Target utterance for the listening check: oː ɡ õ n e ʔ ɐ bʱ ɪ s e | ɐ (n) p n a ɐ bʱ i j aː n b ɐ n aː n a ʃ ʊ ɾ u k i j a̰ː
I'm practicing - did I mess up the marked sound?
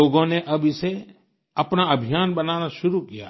yes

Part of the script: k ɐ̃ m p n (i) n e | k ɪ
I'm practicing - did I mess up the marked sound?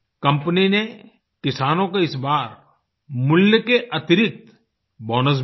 no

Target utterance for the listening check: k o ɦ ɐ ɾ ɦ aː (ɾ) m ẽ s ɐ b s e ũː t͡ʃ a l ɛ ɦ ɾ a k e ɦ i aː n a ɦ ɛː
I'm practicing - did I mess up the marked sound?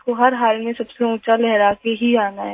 yes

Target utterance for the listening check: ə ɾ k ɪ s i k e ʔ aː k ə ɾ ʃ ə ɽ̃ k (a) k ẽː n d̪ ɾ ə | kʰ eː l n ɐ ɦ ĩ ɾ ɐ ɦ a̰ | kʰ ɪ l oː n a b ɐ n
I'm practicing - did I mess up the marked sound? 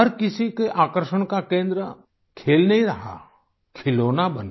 no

